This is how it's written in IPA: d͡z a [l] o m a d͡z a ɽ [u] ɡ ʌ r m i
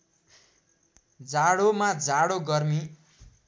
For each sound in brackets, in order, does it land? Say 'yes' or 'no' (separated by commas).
no, no